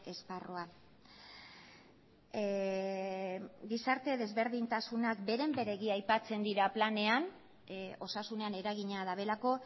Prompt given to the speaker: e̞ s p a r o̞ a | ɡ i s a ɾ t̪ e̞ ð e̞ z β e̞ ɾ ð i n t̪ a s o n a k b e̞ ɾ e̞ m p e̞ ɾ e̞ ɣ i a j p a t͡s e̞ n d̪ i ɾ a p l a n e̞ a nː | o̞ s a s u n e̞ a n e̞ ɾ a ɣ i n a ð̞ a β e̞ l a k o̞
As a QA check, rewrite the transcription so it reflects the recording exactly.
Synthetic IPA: e̞ s p a r o̞ a | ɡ i s a ɾ t̪ e̞ ð e̞ z β e̞ ɾ ð i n t̪ a s u n a k b e̞ ɾ e̞ m b e̞ ɾ e̞ ɣ i a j p a t͡s e̞ n d̪ i ɾ a p l a n e̞ a n | o̞ s a s u n e̞ a n e̞ ɾ a ɣ i ɲ a ð̞ a β e̞ l a k o̞